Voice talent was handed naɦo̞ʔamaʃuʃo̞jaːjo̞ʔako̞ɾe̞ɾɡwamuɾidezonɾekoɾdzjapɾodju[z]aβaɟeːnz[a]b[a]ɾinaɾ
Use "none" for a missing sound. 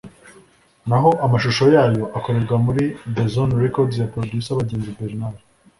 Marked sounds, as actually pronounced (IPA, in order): s, i, e

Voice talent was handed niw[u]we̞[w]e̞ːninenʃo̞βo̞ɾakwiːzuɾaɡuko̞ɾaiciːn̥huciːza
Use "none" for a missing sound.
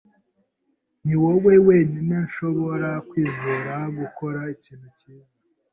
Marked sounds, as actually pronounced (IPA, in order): o, w

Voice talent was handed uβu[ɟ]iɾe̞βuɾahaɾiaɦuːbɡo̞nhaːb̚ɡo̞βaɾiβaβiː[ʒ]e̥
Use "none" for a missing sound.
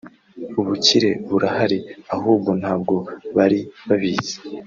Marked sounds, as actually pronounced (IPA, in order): c, z

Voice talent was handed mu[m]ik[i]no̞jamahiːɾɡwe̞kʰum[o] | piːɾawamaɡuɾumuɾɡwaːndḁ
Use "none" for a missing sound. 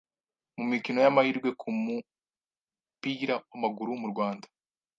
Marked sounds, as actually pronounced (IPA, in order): m, i, u

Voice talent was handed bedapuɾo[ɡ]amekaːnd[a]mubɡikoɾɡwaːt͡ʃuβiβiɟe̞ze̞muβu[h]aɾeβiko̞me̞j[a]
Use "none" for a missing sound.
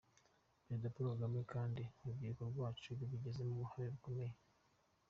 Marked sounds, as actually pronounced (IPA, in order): ɡ, i, h, e

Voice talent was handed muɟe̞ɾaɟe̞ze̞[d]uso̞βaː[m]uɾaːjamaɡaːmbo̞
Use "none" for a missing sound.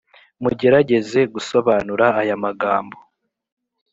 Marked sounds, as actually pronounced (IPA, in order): ɡ, n

